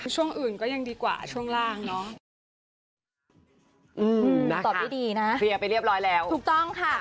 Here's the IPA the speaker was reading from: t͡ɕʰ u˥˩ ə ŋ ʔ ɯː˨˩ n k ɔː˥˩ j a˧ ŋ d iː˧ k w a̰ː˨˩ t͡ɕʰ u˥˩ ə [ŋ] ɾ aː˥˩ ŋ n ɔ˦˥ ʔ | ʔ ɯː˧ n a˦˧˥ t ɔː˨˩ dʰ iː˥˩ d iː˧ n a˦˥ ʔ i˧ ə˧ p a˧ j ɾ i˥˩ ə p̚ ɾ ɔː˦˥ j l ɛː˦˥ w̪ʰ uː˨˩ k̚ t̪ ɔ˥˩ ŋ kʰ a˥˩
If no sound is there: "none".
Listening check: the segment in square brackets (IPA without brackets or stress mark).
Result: ŋ